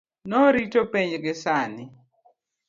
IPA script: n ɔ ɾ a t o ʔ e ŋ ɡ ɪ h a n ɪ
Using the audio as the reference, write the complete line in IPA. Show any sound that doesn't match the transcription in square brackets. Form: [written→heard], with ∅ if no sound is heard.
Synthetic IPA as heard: n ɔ ɾ [a→i] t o [ʔ→p] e [ŋ→ɲ] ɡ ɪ [h→s] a n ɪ